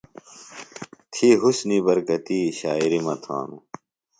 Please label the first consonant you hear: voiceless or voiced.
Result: voiceless